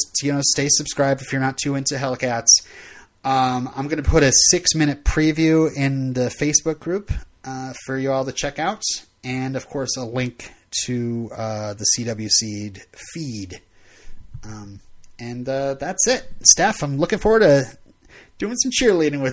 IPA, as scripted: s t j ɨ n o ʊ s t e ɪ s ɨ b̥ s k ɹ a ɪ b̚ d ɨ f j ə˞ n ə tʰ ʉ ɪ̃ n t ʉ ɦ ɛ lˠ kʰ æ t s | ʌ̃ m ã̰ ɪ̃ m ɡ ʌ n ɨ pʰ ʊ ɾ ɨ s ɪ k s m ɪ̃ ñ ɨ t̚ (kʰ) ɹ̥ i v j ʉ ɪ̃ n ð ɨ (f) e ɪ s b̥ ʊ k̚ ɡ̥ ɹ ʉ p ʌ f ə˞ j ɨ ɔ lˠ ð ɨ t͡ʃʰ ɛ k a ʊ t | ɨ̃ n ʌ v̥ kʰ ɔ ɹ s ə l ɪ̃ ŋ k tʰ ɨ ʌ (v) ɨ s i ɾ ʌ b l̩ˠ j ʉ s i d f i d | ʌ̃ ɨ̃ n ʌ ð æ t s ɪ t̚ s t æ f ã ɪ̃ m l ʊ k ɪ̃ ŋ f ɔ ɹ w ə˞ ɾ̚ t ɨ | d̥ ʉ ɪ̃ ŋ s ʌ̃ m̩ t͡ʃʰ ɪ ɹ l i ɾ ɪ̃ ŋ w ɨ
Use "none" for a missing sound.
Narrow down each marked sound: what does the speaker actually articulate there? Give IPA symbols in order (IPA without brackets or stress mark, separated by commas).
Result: pʰ, f, ð